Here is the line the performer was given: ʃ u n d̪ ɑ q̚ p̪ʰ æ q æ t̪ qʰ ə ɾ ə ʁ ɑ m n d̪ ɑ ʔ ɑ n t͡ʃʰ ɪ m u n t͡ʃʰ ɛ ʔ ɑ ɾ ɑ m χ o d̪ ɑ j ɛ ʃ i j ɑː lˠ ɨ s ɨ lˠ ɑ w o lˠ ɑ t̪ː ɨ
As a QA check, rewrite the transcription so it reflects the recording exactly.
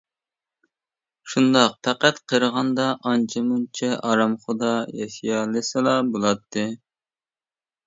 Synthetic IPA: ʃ u n d̪ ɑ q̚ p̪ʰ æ q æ t̪ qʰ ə ɾ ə ʁ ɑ n d̪ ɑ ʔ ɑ n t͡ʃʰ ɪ m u n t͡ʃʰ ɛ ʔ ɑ ɾ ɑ m χ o d̪ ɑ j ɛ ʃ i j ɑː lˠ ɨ s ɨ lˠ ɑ b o lˠ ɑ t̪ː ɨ